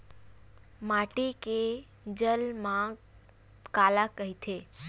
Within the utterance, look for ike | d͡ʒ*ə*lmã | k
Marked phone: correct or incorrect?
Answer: correct